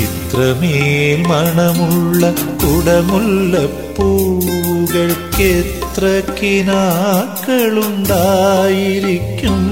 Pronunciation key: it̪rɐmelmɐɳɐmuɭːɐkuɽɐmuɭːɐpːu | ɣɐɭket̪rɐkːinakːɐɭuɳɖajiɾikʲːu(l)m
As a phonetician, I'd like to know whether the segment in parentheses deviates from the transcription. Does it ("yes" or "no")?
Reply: yes